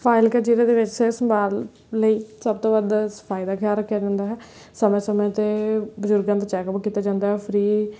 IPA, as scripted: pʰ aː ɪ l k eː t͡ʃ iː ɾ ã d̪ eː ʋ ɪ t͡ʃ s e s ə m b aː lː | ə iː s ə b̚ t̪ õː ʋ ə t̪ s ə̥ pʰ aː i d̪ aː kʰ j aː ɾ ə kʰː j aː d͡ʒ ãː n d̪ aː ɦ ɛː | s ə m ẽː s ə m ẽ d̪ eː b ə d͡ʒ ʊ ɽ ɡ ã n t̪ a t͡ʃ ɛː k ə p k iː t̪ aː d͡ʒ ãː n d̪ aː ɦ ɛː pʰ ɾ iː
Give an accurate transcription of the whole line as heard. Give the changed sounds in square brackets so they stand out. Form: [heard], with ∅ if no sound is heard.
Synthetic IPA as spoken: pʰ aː ɪ l k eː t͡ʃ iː ɾ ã d̪ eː ʋ ɪ t͡ʃ s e s ə m b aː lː | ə iː s ə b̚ t̪ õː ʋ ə [d̪] s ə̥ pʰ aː i d̪ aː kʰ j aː ɾ ə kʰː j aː d͡ʒ ãː n d̪ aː ɦ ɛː | s ə m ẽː s ə m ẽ [t̪] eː b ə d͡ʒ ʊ [ɾ] ɡ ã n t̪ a t͡ʃ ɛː k ə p k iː t̪ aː d͡ʒ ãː n d̪ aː ɦ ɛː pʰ ɾ iː